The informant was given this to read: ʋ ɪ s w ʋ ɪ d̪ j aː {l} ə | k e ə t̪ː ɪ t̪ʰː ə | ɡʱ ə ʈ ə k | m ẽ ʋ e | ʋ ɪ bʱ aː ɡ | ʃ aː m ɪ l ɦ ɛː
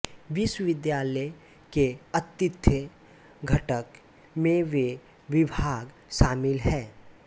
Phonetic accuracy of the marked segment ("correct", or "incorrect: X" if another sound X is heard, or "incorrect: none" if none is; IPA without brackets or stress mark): correct